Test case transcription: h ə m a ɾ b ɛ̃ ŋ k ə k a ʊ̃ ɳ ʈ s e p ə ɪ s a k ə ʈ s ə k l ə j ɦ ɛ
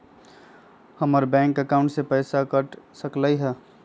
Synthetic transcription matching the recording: h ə m ə ɾ b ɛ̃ ŋ k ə k a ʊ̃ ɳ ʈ s e p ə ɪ s a k ə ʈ s ə k l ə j ɦ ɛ